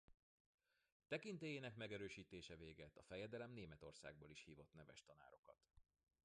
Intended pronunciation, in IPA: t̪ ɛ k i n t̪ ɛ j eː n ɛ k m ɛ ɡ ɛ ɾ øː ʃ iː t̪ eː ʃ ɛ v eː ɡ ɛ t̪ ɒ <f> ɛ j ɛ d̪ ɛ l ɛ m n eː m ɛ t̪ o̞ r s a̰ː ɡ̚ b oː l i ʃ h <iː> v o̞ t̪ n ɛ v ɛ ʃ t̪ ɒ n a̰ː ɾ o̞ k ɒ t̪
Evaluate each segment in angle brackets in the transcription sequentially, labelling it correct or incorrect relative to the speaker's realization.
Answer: correct, correct

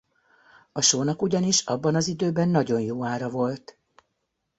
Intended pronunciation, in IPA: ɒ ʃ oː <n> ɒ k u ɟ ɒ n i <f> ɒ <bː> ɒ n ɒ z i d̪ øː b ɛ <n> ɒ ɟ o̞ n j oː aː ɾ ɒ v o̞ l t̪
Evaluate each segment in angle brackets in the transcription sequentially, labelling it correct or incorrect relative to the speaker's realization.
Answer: correct, incorrect: ʃ, correct, incorrect: nː

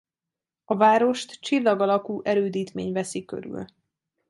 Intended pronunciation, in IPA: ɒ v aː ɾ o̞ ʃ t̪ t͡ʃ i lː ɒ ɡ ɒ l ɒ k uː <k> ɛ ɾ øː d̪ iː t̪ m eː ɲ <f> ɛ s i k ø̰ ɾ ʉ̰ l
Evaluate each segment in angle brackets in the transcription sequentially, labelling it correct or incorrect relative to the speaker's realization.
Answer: incorrect: ʔ, incorrect: v

